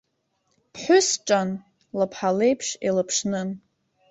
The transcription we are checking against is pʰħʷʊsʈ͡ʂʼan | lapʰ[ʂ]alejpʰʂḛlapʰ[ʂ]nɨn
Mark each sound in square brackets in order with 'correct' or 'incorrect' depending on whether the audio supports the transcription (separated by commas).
incorrect, correct